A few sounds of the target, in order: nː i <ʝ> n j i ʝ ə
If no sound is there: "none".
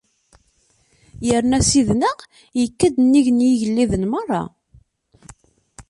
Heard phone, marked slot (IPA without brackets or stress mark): ʝ